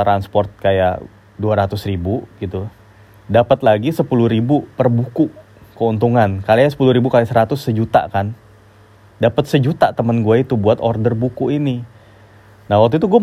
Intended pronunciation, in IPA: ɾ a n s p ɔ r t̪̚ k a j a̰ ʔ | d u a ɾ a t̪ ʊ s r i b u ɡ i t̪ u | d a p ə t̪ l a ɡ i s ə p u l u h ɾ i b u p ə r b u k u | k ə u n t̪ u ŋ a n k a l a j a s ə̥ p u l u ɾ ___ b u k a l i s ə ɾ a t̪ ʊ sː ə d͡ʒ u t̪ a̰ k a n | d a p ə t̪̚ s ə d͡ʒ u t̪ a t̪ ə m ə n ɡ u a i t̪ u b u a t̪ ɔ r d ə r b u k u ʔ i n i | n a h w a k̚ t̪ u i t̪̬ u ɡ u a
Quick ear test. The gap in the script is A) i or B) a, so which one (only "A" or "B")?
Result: A